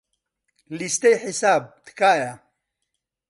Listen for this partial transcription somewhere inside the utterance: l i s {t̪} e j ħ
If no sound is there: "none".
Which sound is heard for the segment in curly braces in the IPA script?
t̪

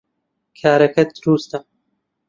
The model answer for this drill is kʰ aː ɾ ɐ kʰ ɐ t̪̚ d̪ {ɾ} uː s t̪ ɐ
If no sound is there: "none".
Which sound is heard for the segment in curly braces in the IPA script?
ɾ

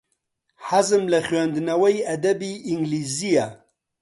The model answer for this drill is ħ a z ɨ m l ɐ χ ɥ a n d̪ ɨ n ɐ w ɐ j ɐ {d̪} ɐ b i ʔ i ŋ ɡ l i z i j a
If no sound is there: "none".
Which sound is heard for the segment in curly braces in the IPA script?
d̪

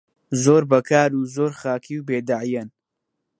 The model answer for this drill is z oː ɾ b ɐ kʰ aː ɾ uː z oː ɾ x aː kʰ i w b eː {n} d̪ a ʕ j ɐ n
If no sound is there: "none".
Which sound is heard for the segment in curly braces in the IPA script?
none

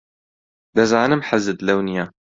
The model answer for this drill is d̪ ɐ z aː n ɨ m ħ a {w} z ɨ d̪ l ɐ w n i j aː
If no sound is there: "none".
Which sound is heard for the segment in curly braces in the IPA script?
none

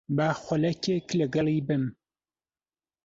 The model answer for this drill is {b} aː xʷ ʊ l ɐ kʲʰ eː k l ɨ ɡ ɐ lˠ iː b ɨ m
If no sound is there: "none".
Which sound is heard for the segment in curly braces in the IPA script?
b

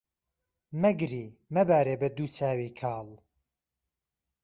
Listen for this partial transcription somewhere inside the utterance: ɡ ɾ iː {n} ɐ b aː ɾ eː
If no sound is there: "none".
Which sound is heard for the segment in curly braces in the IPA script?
m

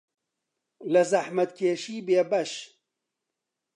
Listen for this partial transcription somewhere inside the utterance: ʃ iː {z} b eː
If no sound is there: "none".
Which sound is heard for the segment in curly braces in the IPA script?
none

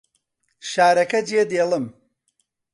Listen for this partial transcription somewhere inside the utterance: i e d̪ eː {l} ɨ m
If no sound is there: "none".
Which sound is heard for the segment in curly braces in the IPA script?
l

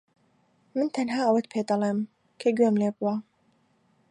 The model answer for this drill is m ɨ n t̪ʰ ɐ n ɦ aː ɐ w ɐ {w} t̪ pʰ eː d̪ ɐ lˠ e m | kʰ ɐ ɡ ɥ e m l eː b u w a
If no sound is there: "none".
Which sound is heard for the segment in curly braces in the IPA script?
none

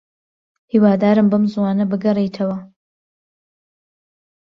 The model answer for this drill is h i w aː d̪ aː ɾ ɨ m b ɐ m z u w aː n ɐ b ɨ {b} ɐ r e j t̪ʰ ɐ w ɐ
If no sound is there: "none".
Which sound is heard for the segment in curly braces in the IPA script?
ɡ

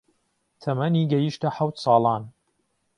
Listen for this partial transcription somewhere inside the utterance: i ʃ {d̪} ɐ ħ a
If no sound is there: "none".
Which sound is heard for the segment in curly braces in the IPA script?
t̪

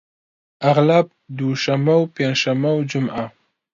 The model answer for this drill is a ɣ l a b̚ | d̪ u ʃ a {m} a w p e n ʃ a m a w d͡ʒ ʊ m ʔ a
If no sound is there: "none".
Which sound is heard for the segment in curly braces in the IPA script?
m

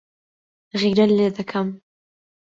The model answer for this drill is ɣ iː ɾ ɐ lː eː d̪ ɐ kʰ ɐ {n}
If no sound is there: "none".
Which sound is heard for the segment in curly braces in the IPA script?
m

